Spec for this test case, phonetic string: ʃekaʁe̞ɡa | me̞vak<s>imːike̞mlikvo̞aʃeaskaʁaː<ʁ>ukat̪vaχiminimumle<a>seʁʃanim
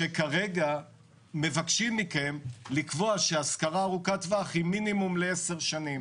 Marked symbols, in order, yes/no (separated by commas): no, yes, no